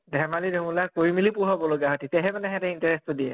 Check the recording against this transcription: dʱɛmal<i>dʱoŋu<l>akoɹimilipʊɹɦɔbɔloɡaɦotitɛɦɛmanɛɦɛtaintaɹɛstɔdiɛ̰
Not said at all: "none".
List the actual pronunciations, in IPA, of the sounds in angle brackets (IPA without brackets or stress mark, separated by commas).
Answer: i, l